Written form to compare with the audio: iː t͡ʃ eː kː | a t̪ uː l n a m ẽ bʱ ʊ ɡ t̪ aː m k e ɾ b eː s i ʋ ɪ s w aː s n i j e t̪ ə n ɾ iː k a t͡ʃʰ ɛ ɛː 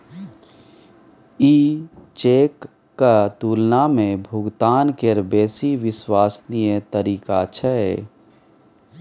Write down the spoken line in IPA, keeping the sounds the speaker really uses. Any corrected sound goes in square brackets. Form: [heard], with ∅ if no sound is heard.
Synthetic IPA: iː t͡ʃ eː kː | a t̪ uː l n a m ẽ bʱ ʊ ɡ t̪ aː [n] k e ɾ b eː s i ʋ ɪ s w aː s n i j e t̪ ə [∅] ɾ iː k a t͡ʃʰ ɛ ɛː